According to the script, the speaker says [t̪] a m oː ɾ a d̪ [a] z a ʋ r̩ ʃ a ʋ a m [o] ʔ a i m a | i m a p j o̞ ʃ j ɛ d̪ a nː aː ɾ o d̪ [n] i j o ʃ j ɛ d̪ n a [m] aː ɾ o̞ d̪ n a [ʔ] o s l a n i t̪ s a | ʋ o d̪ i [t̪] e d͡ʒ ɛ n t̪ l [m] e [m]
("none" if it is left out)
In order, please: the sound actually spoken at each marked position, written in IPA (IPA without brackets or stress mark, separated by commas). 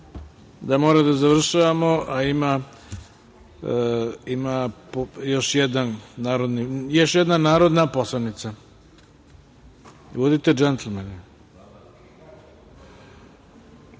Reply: d̪, a, o, n, n, p, t̪, m, n